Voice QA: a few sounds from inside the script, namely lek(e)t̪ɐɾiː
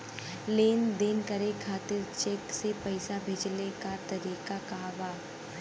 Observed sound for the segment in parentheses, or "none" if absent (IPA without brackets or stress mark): a